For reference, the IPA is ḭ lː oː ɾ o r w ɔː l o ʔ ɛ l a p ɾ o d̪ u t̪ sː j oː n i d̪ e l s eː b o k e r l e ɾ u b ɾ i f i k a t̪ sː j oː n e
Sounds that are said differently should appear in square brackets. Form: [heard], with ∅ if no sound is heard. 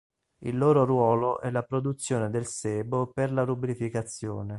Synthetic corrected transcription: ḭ lː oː ɾ o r w ɔː l o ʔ ɛ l a p ɾ o d̪ u t̪ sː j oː n [e] d̪ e l s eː b o [p] e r l [a] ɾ u b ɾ i f i k a t̪ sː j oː n e